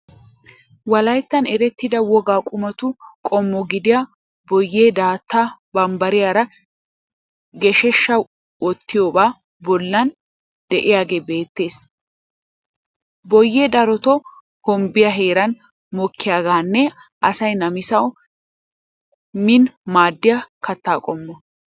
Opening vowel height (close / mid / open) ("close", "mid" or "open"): open